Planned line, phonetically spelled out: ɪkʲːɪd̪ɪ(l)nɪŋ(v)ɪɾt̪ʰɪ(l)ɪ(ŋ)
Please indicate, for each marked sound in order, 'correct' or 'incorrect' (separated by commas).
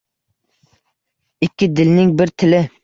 correct, incorrect, correct, incorrect